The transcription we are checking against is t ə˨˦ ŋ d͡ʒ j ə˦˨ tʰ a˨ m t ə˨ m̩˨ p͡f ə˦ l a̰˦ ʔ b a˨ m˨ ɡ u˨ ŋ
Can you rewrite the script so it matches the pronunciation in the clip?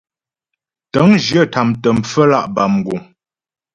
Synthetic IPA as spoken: t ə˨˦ ŋ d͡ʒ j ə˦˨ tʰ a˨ m t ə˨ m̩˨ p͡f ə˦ l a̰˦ ʔ b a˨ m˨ ɡ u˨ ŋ